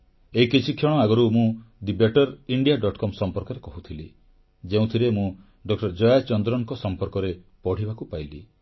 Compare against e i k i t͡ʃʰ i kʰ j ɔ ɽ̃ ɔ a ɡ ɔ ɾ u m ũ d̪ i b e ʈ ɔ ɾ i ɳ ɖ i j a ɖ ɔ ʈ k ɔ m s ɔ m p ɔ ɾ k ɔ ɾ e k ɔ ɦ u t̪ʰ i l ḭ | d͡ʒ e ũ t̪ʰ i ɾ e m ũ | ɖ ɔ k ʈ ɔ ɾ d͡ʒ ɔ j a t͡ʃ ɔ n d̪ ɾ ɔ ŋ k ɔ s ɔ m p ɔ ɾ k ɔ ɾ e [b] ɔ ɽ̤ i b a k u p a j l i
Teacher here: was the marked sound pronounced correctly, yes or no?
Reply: no